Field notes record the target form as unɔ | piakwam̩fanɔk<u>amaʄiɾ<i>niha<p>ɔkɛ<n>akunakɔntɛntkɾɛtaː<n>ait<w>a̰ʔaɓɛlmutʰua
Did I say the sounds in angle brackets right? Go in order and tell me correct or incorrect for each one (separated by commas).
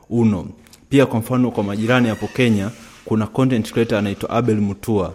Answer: incorrect, incorrect, correct, incorrect, correct, correct